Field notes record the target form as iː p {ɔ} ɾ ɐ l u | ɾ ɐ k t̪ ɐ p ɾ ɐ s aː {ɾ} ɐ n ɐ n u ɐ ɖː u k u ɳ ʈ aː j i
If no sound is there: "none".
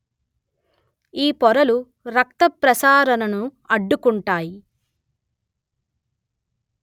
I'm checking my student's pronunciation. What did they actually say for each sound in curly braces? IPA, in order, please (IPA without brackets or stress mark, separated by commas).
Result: ɔ, ɾ